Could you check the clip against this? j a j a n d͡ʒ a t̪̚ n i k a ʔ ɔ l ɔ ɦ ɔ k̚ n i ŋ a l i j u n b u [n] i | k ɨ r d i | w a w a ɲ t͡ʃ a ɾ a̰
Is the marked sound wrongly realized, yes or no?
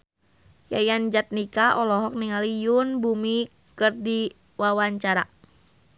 yes